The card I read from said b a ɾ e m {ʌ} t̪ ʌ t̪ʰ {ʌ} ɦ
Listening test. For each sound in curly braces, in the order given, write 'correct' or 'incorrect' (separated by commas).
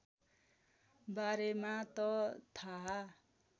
incorrect, incorrect